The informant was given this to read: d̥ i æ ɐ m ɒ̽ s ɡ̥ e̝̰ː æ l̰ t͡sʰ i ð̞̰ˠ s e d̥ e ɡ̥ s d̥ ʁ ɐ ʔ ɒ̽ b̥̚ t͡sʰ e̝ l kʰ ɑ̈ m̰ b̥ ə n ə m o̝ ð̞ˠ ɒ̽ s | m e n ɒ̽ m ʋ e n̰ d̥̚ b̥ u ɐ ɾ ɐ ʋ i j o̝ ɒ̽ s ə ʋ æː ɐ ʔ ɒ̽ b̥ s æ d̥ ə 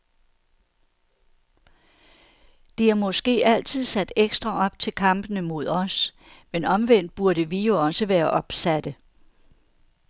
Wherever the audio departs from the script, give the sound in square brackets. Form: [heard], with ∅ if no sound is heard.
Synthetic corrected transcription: d̥ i æ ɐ m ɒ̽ s ɡ̥ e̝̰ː æ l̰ t͡sʰ i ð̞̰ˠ s [æ] d̥ e ɡ̥ s d̥ ʁ ɐ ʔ ɒ̽ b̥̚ t͡sʰ e̝ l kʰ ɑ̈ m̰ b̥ ə n ə m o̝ ð̞ˠ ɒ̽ s | m e n ɒ̽ m ʋ e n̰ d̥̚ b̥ u ɐ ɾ [ə] ʋ i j o̝ ɒ̽ s ə ʋ æː ɐ ʔ ɒ̽ b̥ s æ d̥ ə